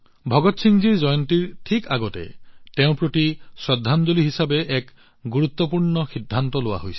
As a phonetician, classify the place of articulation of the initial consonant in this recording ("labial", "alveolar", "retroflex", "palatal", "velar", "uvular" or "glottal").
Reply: labial